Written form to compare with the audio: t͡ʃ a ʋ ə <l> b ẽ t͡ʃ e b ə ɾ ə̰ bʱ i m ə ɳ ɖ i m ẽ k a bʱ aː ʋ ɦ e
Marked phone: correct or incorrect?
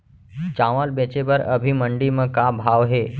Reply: correct